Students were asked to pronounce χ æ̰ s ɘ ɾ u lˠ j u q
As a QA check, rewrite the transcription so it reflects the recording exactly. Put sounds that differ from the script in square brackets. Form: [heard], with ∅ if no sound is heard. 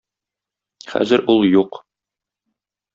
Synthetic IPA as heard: χ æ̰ [z] ɘ ɾ u lˠ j u q